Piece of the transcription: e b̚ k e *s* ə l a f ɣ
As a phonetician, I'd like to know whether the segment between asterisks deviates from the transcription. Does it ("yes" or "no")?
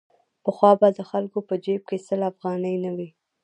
no